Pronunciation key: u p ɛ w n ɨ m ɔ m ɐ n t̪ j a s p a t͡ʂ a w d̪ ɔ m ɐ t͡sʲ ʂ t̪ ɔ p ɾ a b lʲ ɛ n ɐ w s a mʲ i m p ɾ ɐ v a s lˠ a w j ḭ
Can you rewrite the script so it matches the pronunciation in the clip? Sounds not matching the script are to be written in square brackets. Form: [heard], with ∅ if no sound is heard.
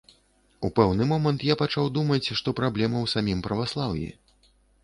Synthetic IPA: u p ɛ w n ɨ m ɔ m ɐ n t̪ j a [∅] p a t͡ʂ a w d̪ [u] m ɐ t͡sʲ ʂ t̪ ɔ p ɾ a b lʲ ɛ [m] ɐ w s a mʲ i m p ɾ ɐ v a s lˠ a w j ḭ